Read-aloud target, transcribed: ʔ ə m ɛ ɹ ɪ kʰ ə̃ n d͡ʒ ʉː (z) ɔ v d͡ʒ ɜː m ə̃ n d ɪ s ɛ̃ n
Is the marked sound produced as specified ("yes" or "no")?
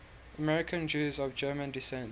yes